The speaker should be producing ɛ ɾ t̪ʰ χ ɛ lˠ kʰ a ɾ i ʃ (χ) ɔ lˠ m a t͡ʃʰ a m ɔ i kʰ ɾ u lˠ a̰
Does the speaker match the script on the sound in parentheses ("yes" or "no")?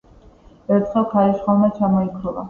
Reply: yes